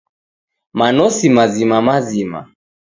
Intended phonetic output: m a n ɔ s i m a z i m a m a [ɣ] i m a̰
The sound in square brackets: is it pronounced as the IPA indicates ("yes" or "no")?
no